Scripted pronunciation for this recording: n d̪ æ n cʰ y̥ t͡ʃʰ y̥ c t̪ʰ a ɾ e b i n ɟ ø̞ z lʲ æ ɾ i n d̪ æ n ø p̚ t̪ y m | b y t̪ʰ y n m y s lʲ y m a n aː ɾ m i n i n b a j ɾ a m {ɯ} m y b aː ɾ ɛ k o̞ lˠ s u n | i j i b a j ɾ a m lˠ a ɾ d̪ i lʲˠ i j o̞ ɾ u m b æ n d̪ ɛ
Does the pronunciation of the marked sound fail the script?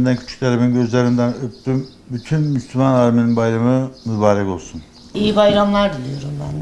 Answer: no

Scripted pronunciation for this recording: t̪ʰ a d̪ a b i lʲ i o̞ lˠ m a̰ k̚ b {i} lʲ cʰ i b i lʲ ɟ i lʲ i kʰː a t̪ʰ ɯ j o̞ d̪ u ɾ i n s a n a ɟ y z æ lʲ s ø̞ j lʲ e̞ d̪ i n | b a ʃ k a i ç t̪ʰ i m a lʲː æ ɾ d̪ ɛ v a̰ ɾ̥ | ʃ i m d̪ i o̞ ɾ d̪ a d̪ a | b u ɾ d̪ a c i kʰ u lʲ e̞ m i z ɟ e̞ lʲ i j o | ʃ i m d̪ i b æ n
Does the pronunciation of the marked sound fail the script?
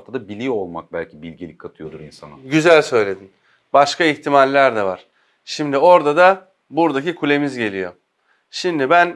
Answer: yes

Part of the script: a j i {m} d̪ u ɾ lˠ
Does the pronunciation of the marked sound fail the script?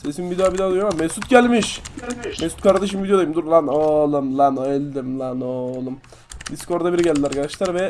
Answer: no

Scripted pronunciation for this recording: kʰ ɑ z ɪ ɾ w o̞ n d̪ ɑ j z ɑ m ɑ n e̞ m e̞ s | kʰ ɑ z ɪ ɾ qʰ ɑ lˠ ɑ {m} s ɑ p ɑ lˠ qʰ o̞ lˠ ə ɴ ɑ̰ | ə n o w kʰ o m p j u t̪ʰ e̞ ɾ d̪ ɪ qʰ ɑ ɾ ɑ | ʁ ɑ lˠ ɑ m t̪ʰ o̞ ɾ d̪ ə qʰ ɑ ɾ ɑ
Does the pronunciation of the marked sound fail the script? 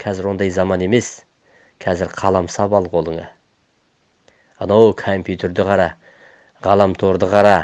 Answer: no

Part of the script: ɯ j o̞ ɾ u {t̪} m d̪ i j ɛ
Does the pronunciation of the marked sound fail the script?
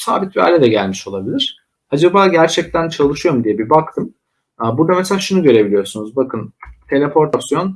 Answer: yes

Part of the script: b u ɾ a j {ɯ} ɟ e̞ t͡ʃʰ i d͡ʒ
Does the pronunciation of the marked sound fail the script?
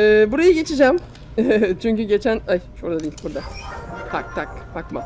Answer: no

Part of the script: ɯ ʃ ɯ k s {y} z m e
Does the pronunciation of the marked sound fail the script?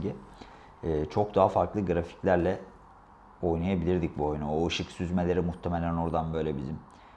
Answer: no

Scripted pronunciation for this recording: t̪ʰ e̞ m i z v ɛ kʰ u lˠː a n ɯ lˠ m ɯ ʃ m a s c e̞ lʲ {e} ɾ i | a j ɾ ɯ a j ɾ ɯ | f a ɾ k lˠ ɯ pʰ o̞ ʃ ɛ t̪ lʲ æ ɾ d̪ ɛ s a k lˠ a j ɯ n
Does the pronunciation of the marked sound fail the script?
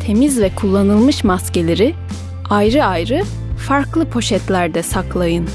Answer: no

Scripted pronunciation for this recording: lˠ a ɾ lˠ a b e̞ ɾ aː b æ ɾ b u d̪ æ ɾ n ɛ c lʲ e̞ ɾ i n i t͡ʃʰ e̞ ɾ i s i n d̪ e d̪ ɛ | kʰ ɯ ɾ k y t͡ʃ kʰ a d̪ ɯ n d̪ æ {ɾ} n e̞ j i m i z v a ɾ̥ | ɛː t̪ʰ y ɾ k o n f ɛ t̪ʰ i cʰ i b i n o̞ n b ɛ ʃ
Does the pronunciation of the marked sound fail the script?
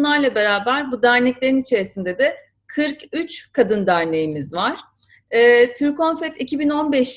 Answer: no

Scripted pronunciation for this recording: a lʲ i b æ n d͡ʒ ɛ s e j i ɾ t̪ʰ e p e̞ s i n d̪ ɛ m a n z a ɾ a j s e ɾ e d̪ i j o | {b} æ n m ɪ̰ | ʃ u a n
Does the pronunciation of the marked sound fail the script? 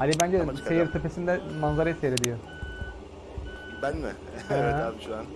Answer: no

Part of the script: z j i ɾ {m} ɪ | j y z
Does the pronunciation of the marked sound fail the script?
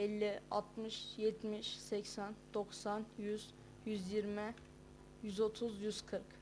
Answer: no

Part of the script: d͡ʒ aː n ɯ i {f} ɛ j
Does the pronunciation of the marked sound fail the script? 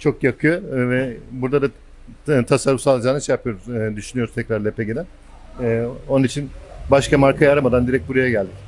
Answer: yes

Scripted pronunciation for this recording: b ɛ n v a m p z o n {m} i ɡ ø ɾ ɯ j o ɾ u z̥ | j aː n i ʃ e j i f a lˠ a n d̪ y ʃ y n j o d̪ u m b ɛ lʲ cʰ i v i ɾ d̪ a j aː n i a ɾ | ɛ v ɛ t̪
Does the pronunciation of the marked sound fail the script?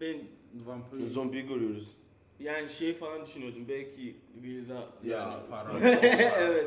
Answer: yes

